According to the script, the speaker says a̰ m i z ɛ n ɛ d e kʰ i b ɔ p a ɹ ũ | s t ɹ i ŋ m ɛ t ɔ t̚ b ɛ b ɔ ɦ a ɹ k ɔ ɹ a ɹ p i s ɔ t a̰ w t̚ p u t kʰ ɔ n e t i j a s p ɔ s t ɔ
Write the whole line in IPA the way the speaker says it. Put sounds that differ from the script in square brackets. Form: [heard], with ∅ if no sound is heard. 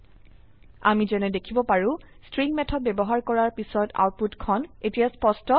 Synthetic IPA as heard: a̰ m i z ɛ n ɛ d e kʰ i b ɔ p a ɹ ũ | s t ɹ i ŋ m ɛ [tʰ] ɔ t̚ b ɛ b ɔ ɦ a ɹ k ɔ ɹ a ɹ p i s ɔ t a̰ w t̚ p u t kʰ ɔ n e t i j a s p ɔ s t ɔ